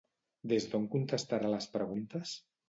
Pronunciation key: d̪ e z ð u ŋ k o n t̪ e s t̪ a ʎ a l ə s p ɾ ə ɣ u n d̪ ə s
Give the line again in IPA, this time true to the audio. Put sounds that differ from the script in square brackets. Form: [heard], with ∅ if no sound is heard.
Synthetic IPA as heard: d̪ e z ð [o] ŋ k [u] n t̪ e s t̪ a [ɾ] a l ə s p ɾ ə ɣ u n [t̪] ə s